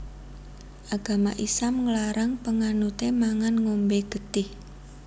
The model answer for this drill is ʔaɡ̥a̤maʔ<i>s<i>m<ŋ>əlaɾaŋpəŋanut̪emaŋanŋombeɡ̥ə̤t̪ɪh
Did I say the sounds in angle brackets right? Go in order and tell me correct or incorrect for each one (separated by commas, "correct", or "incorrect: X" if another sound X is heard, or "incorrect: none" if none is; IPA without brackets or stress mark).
correct, incorrect: a, correct